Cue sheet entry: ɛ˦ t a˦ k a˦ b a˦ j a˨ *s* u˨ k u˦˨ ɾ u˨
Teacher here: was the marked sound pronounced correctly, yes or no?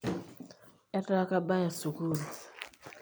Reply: yes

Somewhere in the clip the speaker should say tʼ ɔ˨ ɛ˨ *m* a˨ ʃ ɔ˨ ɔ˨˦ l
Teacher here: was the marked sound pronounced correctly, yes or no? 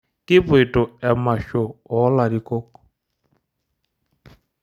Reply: yes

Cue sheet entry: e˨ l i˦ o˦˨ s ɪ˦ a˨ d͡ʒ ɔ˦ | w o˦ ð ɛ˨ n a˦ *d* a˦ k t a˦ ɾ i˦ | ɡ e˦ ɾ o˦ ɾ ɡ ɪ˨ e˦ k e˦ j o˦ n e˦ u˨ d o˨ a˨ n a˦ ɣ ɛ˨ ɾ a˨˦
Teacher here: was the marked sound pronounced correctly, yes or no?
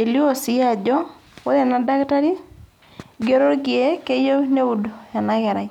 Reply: yes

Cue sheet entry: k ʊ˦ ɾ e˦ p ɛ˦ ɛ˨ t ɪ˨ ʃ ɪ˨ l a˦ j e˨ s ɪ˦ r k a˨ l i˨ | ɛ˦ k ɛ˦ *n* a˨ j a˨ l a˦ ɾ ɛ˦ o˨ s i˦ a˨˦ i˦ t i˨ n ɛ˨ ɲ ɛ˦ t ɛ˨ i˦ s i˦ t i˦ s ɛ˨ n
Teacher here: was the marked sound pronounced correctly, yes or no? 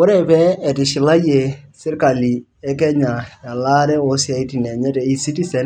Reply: no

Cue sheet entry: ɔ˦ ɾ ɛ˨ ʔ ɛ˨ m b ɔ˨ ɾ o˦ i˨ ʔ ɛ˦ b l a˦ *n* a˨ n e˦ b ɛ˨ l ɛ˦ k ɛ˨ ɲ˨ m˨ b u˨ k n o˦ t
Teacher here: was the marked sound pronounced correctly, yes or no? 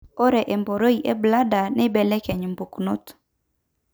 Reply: no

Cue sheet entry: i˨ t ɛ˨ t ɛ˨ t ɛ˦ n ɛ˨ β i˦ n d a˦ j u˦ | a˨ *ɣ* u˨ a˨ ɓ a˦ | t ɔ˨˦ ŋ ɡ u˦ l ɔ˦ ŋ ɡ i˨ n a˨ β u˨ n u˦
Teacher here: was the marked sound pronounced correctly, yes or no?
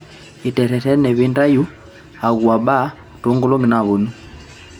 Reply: yes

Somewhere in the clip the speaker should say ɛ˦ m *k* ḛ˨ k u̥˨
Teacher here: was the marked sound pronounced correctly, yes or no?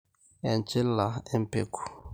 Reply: no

